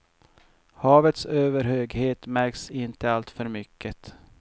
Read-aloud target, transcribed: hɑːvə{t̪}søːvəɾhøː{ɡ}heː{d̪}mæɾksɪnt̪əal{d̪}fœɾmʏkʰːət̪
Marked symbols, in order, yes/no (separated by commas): yes, yes, no, no